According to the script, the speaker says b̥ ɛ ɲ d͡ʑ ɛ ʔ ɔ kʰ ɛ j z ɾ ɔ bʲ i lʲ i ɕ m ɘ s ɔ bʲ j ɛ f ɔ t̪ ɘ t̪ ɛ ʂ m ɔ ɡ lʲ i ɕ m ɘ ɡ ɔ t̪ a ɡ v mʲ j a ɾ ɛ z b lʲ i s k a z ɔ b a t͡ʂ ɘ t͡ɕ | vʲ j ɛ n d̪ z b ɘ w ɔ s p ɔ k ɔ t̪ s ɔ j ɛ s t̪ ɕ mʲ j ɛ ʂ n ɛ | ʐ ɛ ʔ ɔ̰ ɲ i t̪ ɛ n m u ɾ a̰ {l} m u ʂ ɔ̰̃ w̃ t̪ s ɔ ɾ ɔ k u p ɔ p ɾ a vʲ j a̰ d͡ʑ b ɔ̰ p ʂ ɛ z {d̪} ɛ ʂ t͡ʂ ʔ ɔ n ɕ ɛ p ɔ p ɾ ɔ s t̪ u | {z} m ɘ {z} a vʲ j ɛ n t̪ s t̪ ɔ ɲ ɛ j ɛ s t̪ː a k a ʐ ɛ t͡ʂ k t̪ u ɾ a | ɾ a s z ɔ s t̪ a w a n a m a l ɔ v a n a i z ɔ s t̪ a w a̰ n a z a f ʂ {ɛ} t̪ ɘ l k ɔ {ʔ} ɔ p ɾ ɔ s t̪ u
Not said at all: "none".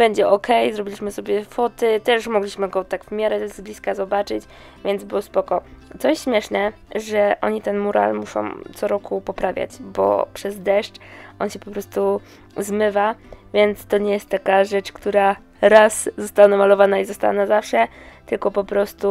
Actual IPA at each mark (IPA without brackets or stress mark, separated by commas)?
l, d̪, z, v, ɛ, p